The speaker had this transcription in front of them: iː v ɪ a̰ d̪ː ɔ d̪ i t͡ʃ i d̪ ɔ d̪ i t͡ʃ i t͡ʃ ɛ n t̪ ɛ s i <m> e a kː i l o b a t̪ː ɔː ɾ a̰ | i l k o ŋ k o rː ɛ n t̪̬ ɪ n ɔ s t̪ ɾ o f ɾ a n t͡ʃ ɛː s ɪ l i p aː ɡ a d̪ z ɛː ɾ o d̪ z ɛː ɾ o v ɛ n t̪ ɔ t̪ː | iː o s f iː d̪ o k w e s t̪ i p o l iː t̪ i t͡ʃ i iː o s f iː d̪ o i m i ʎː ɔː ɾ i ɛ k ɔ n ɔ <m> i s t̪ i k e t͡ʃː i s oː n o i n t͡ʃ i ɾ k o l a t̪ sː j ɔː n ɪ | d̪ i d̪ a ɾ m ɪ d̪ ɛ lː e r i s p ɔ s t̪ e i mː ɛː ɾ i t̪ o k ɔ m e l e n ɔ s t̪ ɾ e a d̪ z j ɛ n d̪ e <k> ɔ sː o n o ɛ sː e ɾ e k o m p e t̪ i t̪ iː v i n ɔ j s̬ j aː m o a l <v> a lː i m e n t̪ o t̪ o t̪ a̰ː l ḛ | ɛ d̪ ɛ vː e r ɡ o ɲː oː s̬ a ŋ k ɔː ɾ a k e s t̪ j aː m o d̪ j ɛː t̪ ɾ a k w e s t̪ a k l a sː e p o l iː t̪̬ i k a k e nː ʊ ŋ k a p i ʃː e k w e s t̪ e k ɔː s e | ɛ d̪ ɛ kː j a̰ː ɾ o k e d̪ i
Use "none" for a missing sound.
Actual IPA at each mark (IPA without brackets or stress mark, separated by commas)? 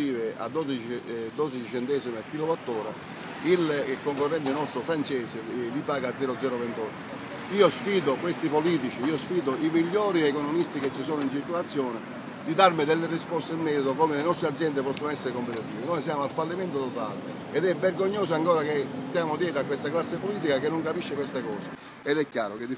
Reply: m, m, p, f